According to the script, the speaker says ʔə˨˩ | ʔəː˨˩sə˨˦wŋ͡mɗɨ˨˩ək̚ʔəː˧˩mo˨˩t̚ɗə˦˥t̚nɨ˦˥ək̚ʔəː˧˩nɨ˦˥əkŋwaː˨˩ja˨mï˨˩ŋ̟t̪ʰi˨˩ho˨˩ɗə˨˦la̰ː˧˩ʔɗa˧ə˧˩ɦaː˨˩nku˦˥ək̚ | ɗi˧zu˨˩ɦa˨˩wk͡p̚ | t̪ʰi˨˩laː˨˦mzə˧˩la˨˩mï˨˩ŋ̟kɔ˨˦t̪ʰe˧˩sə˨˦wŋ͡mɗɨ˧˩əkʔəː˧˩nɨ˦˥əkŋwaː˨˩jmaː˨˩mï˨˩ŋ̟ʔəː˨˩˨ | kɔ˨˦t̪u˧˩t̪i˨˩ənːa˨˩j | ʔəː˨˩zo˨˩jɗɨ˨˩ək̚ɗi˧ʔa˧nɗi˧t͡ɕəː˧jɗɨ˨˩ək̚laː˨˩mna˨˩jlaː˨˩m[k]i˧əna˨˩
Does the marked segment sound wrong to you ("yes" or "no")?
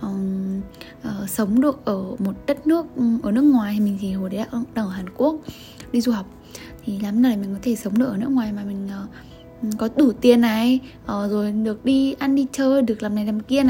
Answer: no